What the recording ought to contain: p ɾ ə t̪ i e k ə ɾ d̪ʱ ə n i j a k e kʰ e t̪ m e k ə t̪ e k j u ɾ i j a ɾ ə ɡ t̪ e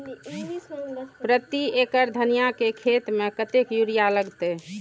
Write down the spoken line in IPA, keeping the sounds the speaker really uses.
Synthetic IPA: p ɾ ə t̪ i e k ə ɾ d̪ʱ ə n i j a k e kʰ e t̪ m e k ə t̪ e k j u ɾ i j a l ə ɡ t̪ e

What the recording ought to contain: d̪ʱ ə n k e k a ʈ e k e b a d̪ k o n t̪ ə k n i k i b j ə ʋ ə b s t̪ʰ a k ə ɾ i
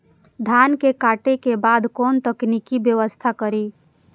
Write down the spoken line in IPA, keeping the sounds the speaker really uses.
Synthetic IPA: d̪ʱ a n k e k a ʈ e k e b a d̪ k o n t̪ ə k n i k i b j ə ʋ ə s t̪ʰ a k ə ɾ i

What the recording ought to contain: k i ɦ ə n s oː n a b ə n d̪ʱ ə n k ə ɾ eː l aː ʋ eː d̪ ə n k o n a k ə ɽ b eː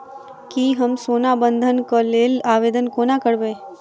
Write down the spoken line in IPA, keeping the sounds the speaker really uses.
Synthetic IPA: k i ɦ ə m s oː n a b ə n d̪ʱ ə n k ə l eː l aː ʋ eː d̪ ə n k o n a k ə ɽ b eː

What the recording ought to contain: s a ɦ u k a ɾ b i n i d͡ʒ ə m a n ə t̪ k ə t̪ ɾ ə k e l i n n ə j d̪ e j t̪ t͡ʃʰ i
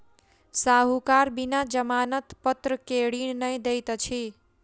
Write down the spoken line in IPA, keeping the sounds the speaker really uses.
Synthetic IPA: s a ɦ u k a ɾ b i n a d͡ʒ ə m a n ə t̪ p ə t̪ ɾ ə k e ɽ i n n ə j d̪ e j t̪ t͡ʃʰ i

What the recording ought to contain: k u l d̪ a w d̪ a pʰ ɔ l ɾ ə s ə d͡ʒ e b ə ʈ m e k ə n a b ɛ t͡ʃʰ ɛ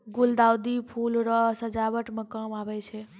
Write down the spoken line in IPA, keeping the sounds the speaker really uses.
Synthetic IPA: ɡ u l d̪ a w d̪ i pʰ u l ɾ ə s ə d͡ʒ a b ə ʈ m e k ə m a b ɛ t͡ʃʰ ɛ

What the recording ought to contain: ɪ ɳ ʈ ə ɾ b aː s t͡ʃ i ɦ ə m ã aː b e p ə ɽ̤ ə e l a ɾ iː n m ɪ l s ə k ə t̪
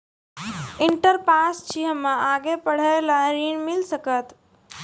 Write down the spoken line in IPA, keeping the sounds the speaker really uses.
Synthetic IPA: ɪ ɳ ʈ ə ɾ p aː s t͡ʃ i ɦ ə m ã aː ɡ e p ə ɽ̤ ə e l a ɾ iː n m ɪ l s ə k ə t̪

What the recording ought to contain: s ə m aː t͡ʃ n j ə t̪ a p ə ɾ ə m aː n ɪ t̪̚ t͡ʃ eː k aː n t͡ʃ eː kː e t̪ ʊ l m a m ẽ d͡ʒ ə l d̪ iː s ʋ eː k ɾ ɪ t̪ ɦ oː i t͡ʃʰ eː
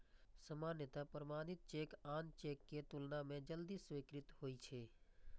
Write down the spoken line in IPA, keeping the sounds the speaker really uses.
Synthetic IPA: s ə m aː n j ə t̪ a p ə ɾ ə m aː n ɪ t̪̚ t͡ʃ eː k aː n t͡ʃ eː kː e t̪ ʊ l n a m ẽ d͡ʒ ə l d̪ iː s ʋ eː k ɾ ɪ t̪ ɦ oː i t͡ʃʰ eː

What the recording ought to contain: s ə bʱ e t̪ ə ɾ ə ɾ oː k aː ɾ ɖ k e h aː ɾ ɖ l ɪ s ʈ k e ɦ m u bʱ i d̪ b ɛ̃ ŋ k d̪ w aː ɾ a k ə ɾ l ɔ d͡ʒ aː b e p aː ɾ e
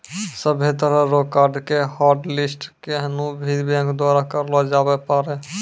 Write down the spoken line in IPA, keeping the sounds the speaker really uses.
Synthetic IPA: s ə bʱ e t̪ ə ɾ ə ɾ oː k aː ɾ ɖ k e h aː ɾ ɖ l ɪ s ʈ k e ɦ n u bʱ i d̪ b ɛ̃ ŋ k d̪ w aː ɾ a k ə ɾ l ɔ d͡ʒ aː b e p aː ɾ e

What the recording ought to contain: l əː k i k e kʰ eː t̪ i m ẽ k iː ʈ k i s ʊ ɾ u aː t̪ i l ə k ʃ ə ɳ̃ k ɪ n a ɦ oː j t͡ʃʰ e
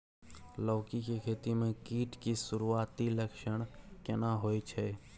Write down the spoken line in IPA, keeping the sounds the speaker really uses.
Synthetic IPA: l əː k i k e kʰ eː t̪ i m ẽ k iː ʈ k i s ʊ ɾ u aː t̪ i l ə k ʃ ə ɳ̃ k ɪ n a ɦ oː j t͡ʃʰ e

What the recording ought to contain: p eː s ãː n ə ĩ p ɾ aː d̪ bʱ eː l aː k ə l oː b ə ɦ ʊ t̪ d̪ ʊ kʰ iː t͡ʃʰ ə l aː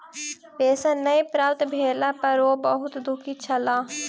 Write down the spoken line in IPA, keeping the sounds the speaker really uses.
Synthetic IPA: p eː s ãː n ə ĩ p ɾ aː t̪ bʱ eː l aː p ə ɾ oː b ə ɦ ʊ t̪ d̪ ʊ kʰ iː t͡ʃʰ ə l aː

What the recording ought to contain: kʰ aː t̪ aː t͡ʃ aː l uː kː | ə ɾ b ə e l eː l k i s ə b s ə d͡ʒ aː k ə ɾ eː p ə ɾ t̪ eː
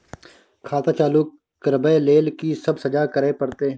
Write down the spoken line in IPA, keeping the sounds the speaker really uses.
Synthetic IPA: kʰ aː t̪ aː t͡ʃ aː l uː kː | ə ɾ b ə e l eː l k i s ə b s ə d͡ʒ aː k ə ɾ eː p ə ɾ t̪ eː

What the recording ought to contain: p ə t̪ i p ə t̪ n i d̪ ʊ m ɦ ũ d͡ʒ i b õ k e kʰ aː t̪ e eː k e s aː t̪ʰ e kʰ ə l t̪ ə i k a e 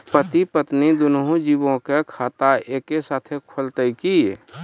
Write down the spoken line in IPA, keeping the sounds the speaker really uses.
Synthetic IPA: p ə t̪ i p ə t̪ n i d̪ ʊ n ɦ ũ d͡ʒ i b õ k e kʰ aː t̪ a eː k e s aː t̪ʰ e kʰ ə l t̪ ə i k i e

